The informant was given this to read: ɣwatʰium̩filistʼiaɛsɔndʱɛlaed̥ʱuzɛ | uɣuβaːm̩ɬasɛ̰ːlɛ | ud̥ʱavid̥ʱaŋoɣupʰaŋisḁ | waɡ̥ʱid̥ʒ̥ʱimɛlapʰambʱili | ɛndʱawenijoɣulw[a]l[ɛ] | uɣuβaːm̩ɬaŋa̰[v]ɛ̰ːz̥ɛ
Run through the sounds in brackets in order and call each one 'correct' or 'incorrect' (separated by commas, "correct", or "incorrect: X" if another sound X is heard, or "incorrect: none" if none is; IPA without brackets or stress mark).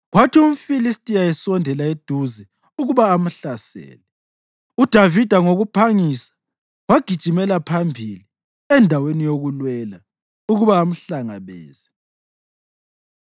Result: incorrect: ɛ, incorrect: a, incorrect: β